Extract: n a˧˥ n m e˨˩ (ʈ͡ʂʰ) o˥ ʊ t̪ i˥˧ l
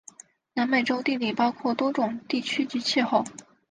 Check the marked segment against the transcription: incorrect: ʈ͡ʂ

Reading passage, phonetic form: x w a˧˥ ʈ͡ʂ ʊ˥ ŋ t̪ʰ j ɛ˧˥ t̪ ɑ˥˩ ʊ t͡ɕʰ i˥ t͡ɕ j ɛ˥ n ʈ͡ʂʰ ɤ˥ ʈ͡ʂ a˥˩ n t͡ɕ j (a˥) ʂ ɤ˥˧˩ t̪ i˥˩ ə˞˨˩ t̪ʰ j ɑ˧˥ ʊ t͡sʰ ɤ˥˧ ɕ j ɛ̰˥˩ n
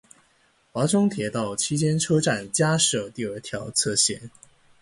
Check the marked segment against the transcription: correct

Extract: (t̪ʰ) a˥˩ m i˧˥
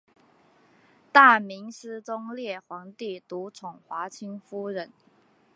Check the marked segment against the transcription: incorrect: t̪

